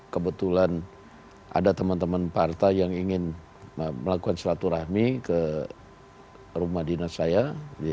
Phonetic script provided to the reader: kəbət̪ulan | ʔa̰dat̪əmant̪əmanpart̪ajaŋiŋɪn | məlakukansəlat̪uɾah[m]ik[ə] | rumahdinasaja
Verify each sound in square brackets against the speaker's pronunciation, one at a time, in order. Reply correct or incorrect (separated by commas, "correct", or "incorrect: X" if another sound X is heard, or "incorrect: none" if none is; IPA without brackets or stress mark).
correct, correct